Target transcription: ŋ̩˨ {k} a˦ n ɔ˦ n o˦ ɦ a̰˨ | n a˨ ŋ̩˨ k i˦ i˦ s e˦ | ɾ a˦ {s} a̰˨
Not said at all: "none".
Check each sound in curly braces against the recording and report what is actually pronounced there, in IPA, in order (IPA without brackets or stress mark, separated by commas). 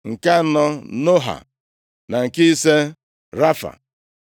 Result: k, f